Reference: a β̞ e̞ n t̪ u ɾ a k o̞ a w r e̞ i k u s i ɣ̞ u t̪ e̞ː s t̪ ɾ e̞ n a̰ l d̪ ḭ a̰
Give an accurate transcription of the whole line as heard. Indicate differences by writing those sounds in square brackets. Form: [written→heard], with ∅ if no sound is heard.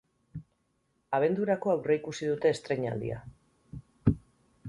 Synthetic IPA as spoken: a β̞ e̞ n [t̪→d̪] u ɾ a k o̞ a w r e̞ i k u s i [ɣ̞→ð̞] u t̪ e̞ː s t̪ ɾ e̞ [n→ɲ] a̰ l d̪ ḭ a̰